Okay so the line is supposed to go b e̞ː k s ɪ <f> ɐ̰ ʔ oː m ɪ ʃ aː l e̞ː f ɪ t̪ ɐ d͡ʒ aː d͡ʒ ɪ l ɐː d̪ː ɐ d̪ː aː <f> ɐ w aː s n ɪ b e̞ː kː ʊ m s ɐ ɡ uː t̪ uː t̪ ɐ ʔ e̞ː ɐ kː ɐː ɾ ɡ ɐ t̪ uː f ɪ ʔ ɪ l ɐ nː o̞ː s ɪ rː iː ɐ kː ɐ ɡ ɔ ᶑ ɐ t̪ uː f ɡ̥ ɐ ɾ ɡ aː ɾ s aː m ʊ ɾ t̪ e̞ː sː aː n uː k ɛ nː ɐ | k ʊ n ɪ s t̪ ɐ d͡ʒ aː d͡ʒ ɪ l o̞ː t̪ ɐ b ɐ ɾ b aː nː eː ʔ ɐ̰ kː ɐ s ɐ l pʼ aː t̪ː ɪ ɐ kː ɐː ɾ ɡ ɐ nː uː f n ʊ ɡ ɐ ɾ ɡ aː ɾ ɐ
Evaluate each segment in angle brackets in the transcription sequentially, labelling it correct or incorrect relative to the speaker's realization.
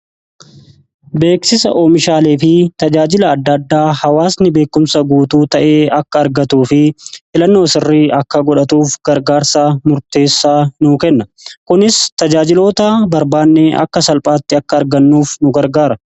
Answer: incorrect: s, incorrect: h

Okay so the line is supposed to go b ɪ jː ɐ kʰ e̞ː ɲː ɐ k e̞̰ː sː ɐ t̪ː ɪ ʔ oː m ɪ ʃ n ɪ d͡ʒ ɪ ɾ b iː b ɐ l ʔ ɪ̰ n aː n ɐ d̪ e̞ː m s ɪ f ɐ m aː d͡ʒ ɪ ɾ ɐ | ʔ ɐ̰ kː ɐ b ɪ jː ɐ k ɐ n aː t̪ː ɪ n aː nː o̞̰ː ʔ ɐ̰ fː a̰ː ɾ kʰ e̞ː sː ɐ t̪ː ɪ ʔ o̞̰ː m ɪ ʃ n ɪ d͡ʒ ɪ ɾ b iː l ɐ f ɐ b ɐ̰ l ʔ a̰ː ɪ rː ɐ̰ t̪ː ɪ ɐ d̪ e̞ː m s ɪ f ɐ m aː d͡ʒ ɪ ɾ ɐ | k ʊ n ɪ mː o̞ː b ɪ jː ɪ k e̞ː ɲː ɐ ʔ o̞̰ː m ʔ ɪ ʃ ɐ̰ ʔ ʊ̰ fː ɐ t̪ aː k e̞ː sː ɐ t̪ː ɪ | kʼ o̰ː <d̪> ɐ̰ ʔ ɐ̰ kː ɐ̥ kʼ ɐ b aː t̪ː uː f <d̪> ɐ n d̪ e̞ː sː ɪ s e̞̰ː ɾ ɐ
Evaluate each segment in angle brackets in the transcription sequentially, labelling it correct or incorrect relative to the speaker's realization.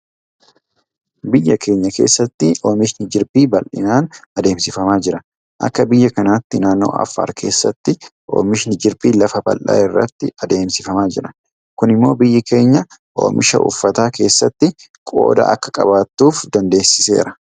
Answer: correct, correct

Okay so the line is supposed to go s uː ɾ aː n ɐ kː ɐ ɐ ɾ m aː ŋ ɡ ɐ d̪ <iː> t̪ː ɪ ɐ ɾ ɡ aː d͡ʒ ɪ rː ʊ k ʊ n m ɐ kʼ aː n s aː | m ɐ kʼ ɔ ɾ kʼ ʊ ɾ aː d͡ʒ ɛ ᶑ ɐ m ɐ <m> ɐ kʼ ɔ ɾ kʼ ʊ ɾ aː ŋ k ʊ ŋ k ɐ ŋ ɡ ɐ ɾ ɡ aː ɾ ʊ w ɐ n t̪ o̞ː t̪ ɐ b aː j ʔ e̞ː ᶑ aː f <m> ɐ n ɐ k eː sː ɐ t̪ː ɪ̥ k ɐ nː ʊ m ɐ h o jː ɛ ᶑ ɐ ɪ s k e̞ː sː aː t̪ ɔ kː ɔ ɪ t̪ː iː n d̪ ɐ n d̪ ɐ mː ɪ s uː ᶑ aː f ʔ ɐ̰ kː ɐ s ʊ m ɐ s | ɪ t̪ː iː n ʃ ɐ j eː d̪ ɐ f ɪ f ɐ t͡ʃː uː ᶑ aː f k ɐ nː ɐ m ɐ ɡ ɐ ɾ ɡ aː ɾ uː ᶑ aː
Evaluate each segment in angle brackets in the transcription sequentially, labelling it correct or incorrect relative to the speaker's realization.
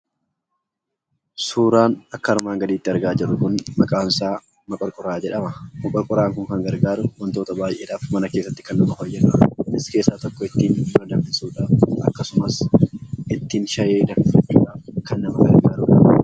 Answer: correct, correct, correct

